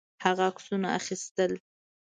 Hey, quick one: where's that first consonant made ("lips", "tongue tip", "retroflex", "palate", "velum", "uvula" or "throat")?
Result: throat